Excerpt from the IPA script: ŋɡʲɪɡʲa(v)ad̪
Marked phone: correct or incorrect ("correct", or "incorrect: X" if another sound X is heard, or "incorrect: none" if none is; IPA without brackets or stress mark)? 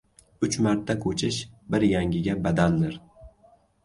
incorrect: b